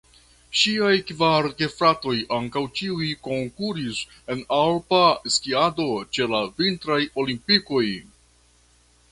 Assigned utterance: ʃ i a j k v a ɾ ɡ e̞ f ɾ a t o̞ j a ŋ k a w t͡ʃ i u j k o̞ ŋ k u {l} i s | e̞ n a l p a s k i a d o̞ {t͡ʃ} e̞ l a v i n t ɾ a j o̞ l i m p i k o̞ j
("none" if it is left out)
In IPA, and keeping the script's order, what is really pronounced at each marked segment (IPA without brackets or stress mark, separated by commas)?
ɾ, t͡ʃ